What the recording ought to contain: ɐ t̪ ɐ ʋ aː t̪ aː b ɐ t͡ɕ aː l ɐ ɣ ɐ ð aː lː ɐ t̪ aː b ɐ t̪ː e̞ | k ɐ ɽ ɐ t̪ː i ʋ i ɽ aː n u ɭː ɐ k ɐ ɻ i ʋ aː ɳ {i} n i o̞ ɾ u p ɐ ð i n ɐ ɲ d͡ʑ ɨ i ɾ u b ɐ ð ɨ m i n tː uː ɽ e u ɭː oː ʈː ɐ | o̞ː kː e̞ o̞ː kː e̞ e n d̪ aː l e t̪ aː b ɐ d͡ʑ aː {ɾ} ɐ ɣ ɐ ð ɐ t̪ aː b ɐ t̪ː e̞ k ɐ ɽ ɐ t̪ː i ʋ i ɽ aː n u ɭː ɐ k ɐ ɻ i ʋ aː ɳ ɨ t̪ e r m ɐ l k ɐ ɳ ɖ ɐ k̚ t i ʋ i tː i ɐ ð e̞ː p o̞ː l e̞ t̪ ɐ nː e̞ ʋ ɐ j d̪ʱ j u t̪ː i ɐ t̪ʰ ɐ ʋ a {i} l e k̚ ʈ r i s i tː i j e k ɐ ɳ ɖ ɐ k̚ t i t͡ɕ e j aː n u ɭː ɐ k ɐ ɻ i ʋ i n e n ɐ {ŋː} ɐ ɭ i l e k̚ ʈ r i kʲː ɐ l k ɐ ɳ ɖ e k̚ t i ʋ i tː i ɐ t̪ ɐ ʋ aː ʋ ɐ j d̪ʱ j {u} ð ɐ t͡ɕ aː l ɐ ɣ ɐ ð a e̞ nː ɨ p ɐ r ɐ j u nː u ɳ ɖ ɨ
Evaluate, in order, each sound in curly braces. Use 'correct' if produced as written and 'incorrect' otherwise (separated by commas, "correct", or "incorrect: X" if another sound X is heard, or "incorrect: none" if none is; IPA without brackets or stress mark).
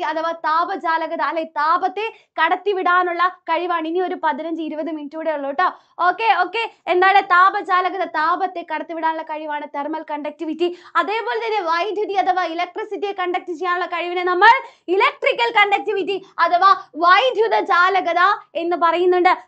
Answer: correct, incorrect: l, correct, incorrect: mː, correct